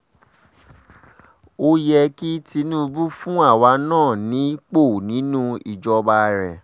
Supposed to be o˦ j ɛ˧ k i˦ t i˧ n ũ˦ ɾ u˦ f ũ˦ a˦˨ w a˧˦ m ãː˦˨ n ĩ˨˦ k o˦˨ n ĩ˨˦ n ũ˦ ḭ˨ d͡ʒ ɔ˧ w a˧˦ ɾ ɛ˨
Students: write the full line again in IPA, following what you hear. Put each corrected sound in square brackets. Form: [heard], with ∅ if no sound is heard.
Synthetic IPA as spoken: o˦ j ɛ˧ k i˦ t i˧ n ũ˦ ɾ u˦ f ũ˦ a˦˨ w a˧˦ [n] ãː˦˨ n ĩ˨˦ [k͡p] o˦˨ n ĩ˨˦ n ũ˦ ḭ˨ d͡ʒ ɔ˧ [b] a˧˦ ɾ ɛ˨